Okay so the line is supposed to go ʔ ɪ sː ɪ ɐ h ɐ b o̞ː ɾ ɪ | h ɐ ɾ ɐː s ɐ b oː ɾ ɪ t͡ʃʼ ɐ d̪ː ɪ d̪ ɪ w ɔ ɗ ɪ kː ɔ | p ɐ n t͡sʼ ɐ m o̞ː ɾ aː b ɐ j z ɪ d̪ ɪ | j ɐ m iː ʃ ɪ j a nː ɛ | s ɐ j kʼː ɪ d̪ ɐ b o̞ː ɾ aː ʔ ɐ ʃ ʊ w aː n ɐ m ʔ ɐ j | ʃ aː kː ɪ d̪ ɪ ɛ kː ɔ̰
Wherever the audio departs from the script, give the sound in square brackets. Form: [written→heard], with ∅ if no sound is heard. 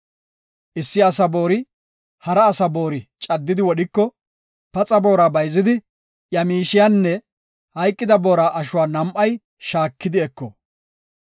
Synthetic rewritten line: ʔ ɪ sː ɪ ɐ [h→s] ɐ b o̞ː ɾ ɪ | h ɐ ɾ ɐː s ɐ b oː ɾ ɪ t͡ʃʼ ɐ d̪ː ɪ d̪ ɪ w ɔ ɗ ɪ kː ɔ | p ɐ [n→∅] t͡sʼ ɐ [m→b] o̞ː ɾ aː b ɐ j z ɪ d̪ ɪ | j ɐ m iː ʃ ɪ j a nː ɛ | [s→h] ɐ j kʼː ɪ d̪ ɐ b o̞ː ɾ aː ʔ ɐ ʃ ʊ w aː n ɐ m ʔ ɐ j | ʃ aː kː ɪ d̪ ɪ ɛ kː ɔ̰